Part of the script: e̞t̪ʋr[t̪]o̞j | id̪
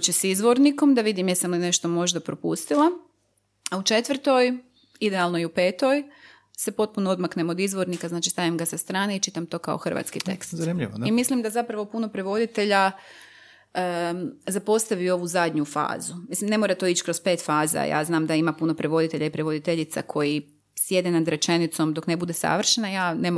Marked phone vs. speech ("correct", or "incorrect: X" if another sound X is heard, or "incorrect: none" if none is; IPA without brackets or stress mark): correct